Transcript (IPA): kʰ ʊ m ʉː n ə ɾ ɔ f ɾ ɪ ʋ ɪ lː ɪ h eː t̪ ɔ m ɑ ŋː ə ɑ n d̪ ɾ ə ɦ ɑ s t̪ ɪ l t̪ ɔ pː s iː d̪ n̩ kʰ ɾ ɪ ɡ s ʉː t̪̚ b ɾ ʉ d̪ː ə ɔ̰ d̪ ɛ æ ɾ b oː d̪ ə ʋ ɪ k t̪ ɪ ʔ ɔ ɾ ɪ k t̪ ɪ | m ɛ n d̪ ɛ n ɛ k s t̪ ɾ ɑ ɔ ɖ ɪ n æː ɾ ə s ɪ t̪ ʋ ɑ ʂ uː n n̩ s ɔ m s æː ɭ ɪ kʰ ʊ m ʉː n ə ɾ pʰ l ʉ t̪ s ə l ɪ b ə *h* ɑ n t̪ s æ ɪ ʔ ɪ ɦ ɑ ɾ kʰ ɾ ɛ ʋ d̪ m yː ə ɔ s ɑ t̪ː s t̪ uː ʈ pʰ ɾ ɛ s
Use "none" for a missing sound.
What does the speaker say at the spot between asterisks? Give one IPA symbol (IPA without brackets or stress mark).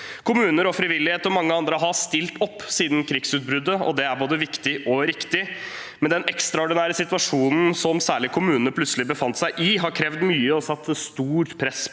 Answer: f